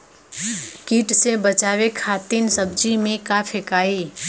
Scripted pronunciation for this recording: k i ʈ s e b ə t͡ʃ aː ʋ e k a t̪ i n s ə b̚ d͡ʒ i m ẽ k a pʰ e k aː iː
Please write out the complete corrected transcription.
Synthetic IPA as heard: k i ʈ s e b ə t͡ʃ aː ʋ e kʰ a t̪ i n s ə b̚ d͡ʒ i m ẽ k a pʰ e k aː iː